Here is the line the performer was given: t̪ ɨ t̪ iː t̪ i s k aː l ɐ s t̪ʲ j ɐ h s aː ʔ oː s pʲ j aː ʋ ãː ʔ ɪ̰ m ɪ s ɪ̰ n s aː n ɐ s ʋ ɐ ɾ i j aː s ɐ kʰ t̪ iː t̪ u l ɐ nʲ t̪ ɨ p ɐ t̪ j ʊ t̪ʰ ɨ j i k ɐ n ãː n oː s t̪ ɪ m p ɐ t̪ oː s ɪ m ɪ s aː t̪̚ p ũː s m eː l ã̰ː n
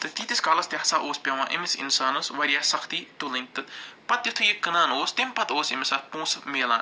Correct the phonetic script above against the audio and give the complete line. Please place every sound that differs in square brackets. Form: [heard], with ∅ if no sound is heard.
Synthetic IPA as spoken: t̪ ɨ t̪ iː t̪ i s k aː l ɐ s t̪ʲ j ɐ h s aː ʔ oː s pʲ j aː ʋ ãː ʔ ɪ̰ m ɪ s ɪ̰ n s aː n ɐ s ʋ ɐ ɾ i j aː s ɐ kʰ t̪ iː t̪ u l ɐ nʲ t̪ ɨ p ɐ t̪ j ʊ t̪ʰ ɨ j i k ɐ n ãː n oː s t̪ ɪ m p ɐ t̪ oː s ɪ m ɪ s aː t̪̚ p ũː s m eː l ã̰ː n